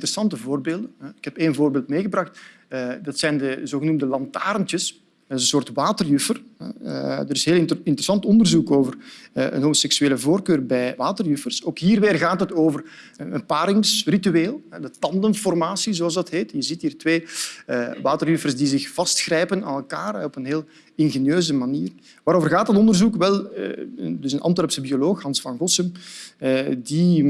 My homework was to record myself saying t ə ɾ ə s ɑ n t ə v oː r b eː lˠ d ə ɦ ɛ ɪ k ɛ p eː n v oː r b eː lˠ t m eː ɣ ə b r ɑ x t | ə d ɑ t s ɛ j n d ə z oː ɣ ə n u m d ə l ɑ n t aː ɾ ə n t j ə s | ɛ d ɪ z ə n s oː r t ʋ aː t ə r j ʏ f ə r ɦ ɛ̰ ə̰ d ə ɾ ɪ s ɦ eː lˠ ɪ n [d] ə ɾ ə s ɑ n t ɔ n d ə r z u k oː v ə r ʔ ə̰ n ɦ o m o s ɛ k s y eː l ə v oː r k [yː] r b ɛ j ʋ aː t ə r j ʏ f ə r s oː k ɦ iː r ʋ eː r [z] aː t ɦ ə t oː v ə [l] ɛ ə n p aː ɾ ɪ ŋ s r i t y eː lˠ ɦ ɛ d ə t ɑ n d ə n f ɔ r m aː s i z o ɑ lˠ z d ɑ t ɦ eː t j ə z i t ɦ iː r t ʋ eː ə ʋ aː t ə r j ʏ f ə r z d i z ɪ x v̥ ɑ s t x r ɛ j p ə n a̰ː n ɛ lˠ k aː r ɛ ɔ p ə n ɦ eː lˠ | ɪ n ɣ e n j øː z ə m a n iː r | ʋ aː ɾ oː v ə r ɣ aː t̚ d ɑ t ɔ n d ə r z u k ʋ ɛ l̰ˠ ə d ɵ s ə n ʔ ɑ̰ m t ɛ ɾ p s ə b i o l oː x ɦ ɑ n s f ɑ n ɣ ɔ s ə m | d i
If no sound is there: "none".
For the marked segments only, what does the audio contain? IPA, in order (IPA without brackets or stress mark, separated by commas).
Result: t, øː, ɣ, r